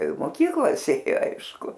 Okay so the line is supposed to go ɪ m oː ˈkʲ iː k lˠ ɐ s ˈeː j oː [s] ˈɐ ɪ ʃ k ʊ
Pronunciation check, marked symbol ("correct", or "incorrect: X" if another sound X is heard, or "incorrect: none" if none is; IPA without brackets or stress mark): incorrect: none